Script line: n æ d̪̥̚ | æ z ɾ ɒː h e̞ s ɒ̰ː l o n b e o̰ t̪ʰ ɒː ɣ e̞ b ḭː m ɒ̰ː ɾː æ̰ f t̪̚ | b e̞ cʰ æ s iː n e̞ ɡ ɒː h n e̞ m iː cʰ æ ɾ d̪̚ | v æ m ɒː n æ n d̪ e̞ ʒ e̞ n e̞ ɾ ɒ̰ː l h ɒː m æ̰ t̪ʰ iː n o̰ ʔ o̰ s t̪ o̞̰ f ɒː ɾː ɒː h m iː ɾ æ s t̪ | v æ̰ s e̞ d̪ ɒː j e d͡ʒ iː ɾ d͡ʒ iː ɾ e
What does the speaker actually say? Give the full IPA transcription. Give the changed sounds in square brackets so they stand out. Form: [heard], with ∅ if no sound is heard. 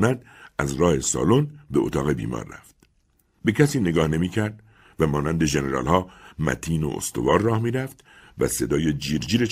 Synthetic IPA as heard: n æ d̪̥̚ | æ z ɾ ɒː h e̞ s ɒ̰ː l o n b e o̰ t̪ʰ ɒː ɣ e̞ b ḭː m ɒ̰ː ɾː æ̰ f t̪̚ | b e̞ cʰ æ s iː n e̞ ɡ ɒː h n e̞ m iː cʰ æ ɾ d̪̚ | v æ m ɒː n æ n d̪ e̞ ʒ e̞ n e̞ ɾ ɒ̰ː l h ɒː m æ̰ t̪ʰ iː n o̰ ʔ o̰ s t̪ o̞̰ [v] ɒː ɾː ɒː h m iː ɾ æ [f] t̪ | v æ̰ s e̞ d̪ ɒː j e d͡ʒ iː ɾ d͡ʒ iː ɾ e